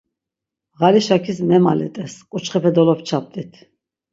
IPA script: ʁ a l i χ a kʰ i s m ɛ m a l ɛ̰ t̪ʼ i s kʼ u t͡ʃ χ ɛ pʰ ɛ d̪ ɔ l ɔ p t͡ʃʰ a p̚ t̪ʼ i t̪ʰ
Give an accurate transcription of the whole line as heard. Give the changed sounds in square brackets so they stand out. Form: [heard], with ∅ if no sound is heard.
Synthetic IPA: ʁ a l i [ʃ] a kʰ i s m ɛ m a l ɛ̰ t̪ʼ [ɛ] s kʼ u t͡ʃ χ ɛ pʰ ɛ d̪ ɔ l ɔ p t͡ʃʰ a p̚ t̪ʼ i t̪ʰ